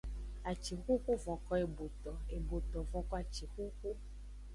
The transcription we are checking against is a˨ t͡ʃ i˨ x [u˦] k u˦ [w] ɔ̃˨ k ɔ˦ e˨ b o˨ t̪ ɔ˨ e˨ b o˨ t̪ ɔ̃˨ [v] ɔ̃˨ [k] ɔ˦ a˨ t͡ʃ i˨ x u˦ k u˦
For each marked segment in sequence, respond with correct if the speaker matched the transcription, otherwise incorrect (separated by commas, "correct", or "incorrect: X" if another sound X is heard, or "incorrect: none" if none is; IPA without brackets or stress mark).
correct, incorrect: v, correct, correct